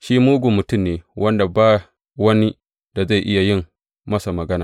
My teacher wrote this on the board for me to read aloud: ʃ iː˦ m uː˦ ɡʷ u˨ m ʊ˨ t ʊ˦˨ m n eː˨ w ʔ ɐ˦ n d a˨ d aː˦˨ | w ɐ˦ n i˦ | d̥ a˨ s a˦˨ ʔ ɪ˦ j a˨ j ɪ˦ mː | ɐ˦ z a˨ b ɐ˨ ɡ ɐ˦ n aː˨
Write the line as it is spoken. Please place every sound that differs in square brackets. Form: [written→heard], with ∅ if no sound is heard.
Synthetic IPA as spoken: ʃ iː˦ m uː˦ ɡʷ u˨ m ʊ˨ t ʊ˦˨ m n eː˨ w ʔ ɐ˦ n d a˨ [d→b] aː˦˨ | w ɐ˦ n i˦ | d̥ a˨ [s→z] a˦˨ ʔ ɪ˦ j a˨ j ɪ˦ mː | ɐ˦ [z→s] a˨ [b→m] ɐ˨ ɡ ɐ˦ n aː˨